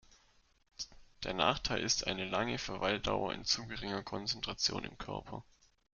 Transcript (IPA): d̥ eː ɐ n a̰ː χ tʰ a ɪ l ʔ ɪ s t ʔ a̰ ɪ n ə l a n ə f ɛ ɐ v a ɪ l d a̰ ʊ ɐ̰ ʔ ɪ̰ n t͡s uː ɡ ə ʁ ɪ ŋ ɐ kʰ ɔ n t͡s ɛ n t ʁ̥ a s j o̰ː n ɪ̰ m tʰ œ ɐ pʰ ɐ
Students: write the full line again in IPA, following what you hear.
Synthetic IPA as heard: d̥ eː ɐ n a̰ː χ tʰ a ɪ l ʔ ɪ s t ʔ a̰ ɪ n ə l a ŋ ə f ɛ ɐ v a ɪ l d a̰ ʊ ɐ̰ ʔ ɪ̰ n t͡s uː ɡ ə ʁ ɪ ŋ ɐ kʰ ɔ n t͡s ɛ n t ʁ̥ a t͡s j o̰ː n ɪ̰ m kʰ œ ɐ pʰ ɐ